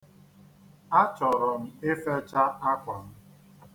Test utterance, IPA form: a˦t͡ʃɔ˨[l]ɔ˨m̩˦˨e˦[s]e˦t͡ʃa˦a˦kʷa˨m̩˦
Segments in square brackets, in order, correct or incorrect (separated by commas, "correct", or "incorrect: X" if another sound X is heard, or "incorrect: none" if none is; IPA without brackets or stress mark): incorrect: ɾ, incorrect: f